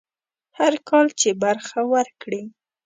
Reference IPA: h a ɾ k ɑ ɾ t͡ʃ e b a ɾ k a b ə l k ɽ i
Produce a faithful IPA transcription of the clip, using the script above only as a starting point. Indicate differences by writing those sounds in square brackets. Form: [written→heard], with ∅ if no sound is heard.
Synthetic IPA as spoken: h a ɾ k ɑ [ɾ→l] t͡ʃ e b a ɾ [k→x] a [b→w] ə [l→ɾ] k ɽ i